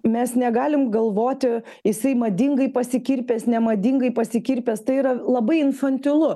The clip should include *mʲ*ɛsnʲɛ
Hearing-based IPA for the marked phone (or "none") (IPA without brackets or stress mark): mʲ